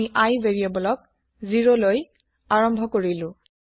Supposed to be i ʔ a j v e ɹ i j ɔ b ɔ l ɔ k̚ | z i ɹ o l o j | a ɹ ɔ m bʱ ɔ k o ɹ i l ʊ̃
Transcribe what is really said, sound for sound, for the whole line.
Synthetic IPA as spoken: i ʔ a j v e ɹ i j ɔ b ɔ l ɔ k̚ | z i ɹ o l o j | a ɹ ɔ m bʱ ɔ k o ɹ i l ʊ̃

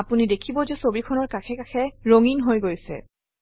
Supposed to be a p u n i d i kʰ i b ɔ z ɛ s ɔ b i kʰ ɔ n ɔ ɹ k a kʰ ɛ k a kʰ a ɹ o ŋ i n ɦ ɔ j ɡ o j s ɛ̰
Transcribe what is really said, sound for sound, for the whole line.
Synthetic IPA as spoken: a p u n i d e kʰ i b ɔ z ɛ s o b i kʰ ɔ n ɔ ɹ k a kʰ ɛ k a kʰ ɛ ɹ o ŋ i n ɦ o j ɡ o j s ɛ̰

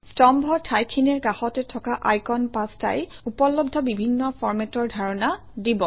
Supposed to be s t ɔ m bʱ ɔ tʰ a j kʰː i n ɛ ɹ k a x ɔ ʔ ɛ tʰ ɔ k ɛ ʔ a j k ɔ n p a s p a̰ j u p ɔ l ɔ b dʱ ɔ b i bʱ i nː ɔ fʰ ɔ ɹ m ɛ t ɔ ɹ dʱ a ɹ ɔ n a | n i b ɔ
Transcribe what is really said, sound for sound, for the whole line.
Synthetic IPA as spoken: s t ɔ m bʱ ɔ tʰ a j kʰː i n ɛ ɹ k a x ɔ t ɛ tʰ ɔ k a ʔ a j k ɔ n p a s t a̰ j u p ɔ l ɔ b dʱ ɔ b i bʱ i nː ɔ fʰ ɔ ɹ m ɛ t ɔ ɹ dʱ a ɹ ɔ n a | d i b ɔ

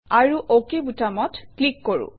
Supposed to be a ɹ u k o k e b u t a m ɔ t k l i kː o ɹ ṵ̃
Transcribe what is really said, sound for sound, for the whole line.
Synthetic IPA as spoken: a ɹ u ʔ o k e b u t a m ɔ t k l i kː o ɹ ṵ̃

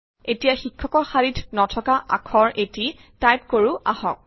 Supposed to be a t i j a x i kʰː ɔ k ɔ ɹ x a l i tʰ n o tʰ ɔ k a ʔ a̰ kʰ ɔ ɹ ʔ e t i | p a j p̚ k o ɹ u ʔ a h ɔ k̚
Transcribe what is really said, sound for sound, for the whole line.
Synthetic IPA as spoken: e t i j a x i kʰː ɔ k ɔ ɹ x a ɹ i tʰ n ɔ tʰ ɔ k a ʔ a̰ kʰ ɔ ɹ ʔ e t i | t a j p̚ k o ɹ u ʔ a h ɔ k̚

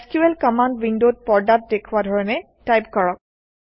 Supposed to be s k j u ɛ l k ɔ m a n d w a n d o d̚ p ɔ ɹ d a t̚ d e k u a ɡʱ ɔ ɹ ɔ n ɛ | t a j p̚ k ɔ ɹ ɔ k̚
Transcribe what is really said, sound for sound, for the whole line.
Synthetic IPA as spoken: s k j u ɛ l k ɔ m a n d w i n d o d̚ p ɔ ɹ d a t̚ d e kʰ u a dʱ ɔ ɹ ɔ n ɛ | t a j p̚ k ɔ ɹ ɔ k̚

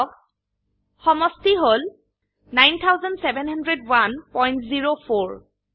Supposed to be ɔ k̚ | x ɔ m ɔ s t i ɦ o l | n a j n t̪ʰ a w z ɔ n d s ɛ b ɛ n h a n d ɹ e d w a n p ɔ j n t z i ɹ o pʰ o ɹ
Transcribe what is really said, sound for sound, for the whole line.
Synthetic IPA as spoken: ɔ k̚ | x ɔ m ɔ s t i ɦ o l | n a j n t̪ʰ a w z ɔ n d s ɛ b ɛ n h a n d ɹ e d w a n p ɔ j n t z i ɹ o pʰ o ɹ

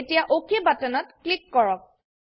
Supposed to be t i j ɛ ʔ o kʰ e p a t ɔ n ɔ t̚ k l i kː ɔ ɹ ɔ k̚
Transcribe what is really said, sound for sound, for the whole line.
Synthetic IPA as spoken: t i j a ʔ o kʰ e b a t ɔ n ɔ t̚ k l i kː ɔ ɹ ɔ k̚

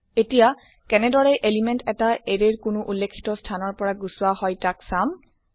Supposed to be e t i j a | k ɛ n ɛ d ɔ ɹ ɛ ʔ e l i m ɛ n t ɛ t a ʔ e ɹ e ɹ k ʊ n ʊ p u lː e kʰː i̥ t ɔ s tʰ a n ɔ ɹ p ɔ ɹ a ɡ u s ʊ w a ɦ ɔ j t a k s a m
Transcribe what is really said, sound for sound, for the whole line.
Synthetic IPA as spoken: e t i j a | k ɛ n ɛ d ɔ ɹ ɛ ʔ e l i m ɛ n t ɛ t a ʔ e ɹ e ɹ k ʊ n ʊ ʔ u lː e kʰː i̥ t ɔ s tʰ a n ɔ ɹ p ɔ ɹ a ɡ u s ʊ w a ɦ ɔ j t a k s a m

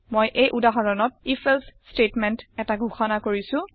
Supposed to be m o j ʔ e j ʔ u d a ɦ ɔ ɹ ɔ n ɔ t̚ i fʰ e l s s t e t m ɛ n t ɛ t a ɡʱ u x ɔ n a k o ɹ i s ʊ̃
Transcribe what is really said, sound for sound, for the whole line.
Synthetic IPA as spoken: m o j ʔ e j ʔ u d a ɦ ɔ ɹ ɔ n ɔ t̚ i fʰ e l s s t e t m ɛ n t ɛ t a ɡʱ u x ɔ n a k o ɹ i s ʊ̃

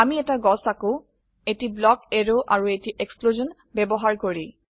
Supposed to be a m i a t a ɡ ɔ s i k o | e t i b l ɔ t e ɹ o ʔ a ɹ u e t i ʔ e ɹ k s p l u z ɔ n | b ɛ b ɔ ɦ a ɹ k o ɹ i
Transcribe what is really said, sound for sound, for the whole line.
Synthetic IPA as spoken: a m i ɛ t a ɡ ɔ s a k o | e t i b l ɔ k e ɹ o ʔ a ɹ u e t i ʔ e k s p l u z ɔ n | b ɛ b ɔ ɦ a ɹ k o ɹ i

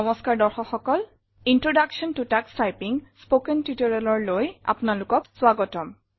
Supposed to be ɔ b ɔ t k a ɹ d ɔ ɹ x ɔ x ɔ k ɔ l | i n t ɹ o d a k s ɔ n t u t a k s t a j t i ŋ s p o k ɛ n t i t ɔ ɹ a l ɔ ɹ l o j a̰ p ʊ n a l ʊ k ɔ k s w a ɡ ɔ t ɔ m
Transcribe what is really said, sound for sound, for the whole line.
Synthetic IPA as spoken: ɔ m ɔ s k a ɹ d ɔ ɹ x ɔ x ɔ k ɔ l | i n t ɹ o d a k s ɔ n t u t a k s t a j p i ŋ s p o k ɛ n t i t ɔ ɹ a l ɔ ɹ l o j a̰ p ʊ n a l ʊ k ɔ k s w a ɡ ɔ t ɔ m

